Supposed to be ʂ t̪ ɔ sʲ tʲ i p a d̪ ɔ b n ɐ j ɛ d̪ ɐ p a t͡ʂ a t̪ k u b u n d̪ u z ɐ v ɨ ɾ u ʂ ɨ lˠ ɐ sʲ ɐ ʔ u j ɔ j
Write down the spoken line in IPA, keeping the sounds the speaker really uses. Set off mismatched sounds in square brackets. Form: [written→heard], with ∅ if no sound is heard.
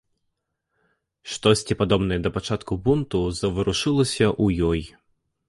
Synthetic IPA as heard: ʂ t̪ ɔ sʲ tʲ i p a d̪ ɔ b n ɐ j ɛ d̪ ɐ p a t͡ʂ a t̪ k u b u n [d̪→t̪] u z ɐ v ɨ ɾ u ʂ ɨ lˠ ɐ sʲ ɐ ʔ u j ɔ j